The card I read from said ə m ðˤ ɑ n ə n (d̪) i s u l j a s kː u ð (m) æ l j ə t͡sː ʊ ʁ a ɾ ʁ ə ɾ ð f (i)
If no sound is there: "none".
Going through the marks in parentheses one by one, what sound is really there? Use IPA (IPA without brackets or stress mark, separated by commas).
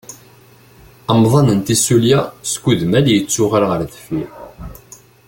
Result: t̪, m, i